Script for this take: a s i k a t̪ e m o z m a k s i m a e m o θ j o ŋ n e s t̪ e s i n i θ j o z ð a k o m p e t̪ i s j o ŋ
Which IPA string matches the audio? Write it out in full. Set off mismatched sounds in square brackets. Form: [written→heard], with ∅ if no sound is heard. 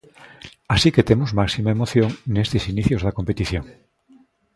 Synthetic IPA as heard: a s i k [a→e] t̪ e m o z m a k s i m a e m o θ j o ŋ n e s t̪ e s i n i θ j o z ð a k o m p e t̪ i [s→θ] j o ŋ